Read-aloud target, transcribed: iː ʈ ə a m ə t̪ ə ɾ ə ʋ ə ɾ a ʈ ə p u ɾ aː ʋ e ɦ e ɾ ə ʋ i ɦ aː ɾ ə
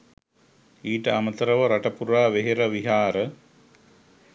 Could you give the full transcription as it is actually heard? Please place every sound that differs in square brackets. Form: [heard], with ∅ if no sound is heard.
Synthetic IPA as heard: iː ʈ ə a m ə t̪ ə ɾ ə ʋ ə ɾ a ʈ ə p u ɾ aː ʋ e ɦ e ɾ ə ʋ i ɦ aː ɾ ə

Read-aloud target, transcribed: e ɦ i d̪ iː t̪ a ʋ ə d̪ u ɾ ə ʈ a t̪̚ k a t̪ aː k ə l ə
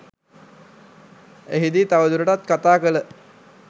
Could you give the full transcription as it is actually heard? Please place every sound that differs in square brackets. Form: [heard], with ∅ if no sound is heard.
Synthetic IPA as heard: e ɦ i d̪ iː t̪ a ʋ ə d̪ u ɾ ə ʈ a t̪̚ k a t̪ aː k ə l ə

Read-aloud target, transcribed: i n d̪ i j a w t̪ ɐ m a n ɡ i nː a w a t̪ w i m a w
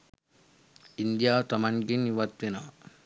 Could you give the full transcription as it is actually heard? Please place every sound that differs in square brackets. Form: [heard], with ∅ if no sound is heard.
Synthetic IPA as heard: i n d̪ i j a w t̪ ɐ m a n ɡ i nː [i] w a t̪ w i [n] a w

